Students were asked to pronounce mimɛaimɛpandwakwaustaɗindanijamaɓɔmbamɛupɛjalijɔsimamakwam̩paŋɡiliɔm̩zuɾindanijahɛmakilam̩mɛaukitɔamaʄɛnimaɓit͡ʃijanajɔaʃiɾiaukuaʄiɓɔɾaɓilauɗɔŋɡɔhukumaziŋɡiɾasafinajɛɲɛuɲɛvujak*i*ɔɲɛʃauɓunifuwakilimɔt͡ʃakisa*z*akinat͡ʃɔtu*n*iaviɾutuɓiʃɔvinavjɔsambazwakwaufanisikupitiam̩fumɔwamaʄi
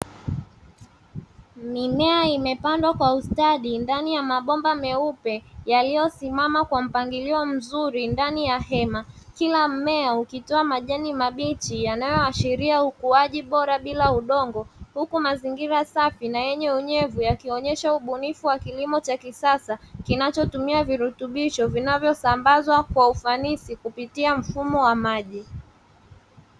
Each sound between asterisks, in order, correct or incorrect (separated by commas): correct, incorrect, incorrect